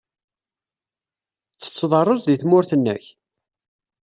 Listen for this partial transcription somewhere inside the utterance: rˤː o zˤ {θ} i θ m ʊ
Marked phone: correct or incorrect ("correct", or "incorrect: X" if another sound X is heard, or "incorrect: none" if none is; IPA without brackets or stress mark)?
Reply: incorrect: ð